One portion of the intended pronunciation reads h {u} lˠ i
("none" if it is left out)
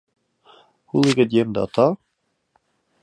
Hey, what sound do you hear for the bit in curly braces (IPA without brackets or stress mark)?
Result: u